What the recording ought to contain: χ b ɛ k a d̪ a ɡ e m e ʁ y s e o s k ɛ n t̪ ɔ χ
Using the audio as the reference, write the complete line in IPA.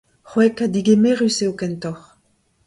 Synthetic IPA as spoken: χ w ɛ k a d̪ i ɡ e m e ʁ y s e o k ɛ n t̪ ɔ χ